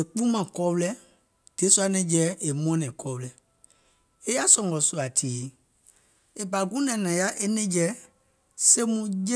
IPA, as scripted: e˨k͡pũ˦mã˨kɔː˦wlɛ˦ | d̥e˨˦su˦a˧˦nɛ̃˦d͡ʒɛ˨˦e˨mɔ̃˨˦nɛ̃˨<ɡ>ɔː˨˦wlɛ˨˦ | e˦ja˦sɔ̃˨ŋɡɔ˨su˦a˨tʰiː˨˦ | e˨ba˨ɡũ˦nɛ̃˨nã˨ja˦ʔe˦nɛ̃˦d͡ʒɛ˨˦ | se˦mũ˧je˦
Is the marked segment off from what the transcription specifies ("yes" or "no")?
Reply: yes